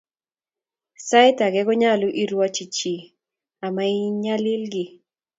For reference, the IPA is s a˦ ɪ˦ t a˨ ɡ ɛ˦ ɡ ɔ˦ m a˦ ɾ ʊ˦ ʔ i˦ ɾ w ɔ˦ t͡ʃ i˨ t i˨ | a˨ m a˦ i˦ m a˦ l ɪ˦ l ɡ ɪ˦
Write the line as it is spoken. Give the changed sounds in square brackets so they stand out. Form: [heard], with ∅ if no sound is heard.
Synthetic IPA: s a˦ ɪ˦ t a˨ ɡ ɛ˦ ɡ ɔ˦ [ɲ] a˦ [l] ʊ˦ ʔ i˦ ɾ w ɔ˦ t͡ʃ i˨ [t͡ʃ] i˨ | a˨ m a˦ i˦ [ɲ] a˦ l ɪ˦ l ɡ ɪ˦